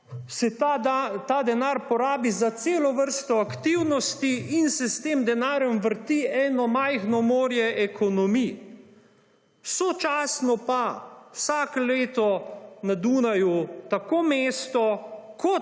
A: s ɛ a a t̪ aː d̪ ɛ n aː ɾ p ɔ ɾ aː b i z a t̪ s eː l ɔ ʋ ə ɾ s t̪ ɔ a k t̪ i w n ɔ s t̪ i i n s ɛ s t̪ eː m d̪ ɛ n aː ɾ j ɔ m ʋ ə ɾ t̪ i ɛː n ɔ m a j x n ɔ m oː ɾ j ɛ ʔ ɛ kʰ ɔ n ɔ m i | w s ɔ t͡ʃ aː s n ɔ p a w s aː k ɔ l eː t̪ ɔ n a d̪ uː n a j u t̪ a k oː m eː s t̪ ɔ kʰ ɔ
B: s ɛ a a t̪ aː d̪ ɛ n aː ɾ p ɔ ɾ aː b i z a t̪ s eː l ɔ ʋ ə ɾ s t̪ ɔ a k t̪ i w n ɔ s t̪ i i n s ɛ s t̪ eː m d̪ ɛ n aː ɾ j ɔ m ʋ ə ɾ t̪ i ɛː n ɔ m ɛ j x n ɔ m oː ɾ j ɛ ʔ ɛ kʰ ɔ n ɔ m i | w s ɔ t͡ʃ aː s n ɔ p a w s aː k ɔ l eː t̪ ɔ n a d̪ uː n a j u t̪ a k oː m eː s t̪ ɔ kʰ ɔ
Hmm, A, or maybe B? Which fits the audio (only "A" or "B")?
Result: A